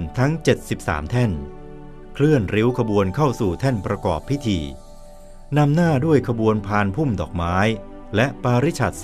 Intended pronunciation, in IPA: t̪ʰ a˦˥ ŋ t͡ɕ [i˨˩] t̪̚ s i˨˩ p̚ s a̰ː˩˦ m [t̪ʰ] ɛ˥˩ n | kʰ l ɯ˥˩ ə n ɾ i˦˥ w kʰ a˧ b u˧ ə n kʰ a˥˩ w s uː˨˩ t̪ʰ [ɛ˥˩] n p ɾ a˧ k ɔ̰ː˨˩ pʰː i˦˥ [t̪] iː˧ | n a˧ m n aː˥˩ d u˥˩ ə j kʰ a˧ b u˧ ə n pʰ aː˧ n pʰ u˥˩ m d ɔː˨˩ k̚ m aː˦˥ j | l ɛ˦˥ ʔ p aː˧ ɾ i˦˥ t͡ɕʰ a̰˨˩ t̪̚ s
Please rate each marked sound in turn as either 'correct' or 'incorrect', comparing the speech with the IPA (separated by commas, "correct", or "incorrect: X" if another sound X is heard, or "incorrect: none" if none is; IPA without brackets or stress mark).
incorrect: e˨˩, correct, correct, incorrect: t̪ʰ